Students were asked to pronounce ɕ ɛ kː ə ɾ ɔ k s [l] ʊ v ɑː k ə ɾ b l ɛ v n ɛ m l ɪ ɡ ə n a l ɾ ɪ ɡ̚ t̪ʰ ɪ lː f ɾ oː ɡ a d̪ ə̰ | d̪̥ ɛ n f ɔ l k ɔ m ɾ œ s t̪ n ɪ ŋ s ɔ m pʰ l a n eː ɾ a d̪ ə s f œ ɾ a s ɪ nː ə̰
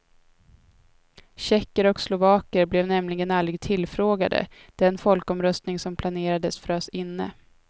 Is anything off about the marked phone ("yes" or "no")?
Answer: no